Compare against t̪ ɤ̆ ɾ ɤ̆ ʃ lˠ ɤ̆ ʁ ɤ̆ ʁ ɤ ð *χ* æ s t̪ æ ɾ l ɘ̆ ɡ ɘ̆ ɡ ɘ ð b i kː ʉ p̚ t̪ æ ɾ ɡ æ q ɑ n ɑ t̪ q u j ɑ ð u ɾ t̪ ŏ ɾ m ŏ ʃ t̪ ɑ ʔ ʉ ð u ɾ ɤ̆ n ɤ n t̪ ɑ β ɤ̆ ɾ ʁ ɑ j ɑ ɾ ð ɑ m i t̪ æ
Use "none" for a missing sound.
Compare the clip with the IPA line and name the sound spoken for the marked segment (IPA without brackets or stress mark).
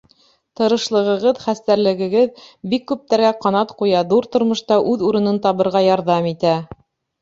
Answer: χ